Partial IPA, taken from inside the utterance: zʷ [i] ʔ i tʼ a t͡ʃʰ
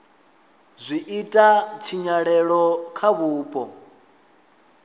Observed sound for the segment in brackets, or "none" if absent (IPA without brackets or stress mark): i